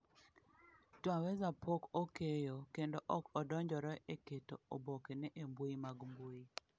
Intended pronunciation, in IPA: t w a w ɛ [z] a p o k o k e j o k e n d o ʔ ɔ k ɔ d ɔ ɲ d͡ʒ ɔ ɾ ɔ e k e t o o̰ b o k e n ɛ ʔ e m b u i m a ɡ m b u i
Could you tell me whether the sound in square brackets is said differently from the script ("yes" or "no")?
no